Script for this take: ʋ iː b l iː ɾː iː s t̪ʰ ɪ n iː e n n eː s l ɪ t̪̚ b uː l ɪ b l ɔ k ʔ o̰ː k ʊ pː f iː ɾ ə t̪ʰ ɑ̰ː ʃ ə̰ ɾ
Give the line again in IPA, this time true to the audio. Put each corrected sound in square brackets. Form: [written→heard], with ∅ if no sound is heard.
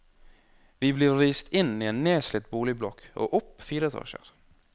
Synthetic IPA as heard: ʋ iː b l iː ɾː iː s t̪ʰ ɪ n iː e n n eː s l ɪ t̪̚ b uː l ɪ b l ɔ k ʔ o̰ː [k→ʔ] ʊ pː f iː ɾ ə t̪ʰ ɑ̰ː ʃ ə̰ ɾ